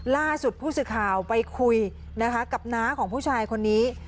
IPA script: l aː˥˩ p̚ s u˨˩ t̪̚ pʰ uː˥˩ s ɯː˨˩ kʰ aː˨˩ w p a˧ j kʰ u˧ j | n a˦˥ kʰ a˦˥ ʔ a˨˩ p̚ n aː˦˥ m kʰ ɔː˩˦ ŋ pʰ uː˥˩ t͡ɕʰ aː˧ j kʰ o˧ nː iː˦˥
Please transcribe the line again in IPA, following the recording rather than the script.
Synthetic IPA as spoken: l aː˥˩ s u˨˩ t̪̚ pʰ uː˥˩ s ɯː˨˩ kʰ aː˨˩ w p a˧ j kʰ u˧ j | n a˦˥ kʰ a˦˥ k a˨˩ p̚ n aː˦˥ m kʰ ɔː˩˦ ŋ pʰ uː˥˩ t͡ɕʰ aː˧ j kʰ o˧ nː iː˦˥

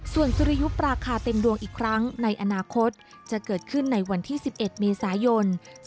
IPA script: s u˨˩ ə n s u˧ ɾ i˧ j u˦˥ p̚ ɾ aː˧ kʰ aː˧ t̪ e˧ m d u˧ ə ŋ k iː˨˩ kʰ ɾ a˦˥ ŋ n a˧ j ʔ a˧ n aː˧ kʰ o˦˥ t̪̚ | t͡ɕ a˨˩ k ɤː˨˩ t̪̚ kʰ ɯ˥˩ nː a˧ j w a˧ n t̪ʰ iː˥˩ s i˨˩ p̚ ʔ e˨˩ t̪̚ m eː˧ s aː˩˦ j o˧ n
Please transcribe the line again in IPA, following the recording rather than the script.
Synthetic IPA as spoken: s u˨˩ ə n s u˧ ɾ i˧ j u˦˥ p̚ ɾ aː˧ kʰ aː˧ t̪ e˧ m d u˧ ə ŋ ʔ iː˨˩ kʰ ɾ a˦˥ ŋ n a˧ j ʔ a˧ n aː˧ kʰ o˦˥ t̪̚ | t͡ɕ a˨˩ k ɤː˨˩ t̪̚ kʰ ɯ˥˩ nː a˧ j w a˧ n t̪ʰ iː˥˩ s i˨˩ p̚ ʔ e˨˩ t̪̚ m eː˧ s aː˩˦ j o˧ n

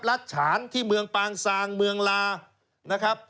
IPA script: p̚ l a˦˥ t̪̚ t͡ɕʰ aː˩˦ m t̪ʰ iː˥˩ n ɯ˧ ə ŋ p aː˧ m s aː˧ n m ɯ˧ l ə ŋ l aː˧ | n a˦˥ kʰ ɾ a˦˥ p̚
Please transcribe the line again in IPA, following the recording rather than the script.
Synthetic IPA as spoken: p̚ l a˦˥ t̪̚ t͡ɕʰ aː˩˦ n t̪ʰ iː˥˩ m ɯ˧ ə ŋ p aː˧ ŋ s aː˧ ŋ m ɯ˧ ə ŋ l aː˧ | n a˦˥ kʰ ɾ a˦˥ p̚

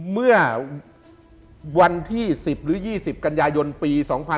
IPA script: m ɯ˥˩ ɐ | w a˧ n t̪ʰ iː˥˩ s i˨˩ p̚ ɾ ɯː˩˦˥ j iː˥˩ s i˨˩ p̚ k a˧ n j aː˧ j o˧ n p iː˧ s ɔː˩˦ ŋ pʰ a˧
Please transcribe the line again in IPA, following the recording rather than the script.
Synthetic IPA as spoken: m ɯ˥˩ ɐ | w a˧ n t̪ʰ iː˥˩ s i˨˩ p̚ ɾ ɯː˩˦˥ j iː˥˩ s i˨˩ p̚ k a˧ n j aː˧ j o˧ n p iː˧ s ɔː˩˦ ŋ pʰ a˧

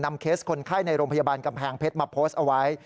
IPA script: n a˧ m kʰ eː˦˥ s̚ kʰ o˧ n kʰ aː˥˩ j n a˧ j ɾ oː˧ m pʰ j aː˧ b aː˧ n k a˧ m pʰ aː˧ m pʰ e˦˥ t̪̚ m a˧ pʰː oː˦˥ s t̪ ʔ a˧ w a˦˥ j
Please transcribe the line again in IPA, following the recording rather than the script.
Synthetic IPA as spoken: n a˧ m kʰ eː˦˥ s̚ kʰ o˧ n kʰ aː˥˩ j n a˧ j ɾ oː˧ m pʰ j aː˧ b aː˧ n k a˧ m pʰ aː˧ ŋ pʰ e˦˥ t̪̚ m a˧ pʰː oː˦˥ s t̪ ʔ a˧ w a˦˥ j

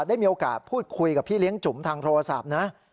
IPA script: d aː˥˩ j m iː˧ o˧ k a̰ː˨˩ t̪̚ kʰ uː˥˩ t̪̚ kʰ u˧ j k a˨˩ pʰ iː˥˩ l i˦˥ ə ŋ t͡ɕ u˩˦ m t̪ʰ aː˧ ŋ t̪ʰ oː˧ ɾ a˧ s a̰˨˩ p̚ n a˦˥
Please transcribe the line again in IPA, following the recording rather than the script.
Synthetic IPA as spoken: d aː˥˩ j m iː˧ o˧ k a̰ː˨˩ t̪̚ pʰ uː˥˩ t̪̚ kʰ u˧ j k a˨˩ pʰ iː˥˩ l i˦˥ ə ŋ t͡ɕ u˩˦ m t̪ʰ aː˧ ŋ t̪ʰ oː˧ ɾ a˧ s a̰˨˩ p̚ n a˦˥

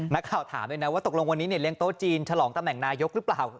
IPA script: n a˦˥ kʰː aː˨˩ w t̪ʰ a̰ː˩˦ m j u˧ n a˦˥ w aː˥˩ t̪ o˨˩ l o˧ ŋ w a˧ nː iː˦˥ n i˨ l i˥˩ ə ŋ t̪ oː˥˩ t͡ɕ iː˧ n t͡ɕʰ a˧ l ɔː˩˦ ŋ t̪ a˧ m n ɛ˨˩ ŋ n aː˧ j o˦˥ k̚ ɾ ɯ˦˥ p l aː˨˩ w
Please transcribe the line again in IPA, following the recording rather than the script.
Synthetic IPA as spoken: n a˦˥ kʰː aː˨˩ w t̪ʰ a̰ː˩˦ m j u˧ n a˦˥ w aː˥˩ t̪ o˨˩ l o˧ ŋ w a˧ nː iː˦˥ n i˥˩ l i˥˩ ə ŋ t̪ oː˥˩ t͡ɕ iː˧ n t͡ɕʰ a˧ l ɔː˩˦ ŋ t̪ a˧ m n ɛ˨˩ ŋ n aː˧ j o˦˥ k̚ ɾ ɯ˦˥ p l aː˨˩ w

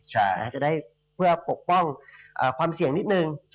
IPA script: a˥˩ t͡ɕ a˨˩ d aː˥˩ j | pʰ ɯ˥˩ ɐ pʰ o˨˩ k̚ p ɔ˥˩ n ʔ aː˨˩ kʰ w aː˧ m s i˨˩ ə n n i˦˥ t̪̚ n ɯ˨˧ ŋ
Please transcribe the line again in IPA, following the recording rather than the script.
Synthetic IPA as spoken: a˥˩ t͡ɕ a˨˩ d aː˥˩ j | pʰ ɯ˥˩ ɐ p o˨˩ k̚ p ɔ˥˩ ŋ ʔ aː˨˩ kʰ w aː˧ m s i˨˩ ə ŋ n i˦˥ t̪̚ n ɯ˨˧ ŋ

